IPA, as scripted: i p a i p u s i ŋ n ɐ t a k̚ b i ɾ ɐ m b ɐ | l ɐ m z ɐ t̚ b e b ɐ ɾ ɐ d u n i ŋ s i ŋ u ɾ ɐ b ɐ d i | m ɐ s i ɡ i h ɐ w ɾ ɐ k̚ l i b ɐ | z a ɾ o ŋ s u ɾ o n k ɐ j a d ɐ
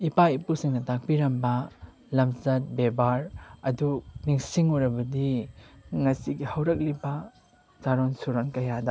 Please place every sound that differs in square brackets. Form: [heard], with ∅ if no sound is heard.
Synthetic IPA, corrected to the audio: i p a i p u s i ŋ n ɐ t a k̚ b i ɾ ɐ m b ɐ | l ɐ m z ɐ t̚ b e b [a] ɾ ɐ d u n i ŋ s i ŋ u ɾ ɐ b ɐ d i | [ŋ] ɐ s i ɡ i h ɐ w ɾ ɐ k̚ l i b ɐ | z a ɾ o [n] s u ɾ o n k ɐ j a d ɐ